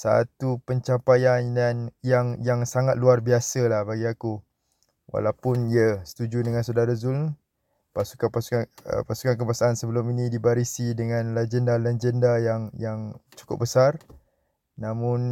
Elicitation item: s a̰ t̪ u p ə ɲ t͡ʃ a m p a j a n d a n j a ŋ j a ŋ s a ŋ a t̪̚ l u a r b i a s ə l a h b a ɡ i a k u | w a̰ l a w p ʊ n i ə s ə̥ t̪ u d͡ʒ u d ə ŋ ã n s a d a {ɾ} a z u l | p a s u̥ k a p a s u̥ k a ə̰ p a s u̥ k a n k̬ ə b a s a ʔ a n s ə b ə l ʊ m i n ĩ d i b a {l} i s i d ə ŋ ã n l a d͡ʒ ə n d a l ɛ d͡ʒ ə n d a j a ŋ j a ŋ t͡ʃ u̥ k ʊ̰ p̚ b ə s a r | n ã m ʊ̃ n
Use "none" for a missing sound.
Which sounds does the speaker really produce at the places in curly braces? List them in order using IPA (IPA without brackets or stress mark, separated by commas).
ɾ, ɾ